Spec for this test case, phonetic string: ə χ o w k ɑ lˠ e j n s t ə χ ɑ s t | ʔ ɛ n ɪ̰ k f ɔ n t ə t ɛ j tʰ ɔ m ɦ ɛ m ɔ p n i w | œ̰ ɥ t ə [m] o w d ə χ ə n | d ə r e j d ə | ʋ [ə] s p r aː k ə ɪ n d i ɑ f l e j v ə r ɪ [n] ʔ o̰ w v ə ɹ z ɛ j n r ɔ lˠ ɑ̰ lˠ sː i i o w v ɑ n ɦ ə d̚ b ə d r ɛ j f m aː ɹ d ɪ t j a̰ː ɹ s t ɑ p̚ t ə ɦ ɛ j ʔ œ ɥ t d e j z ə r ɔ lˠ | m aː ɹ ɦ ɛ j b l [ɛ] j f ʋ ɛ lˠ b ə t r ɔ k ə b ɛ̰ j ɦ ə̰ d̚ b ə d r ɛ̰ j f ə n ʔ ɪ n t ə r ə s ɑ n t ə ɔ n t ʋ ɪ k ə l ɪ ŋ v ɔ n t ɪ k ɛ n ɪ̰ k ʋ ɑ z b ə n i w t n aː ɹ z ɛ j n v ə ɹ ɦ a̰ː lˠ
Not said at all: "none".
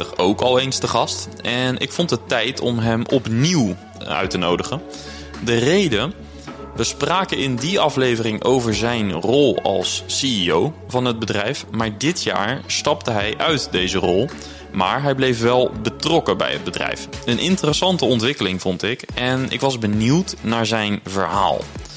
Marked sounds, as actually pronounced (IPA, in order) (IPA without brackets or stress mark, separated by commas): n, ə, ŋ, e